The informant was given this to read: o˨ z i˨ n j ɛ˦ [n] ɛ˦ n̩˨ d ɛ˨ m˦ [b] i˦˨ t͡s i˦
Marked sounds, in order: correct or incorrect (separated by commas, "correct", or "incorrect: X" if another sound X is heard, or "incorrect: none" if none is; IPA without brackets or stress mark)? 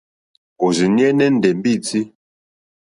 correct, correct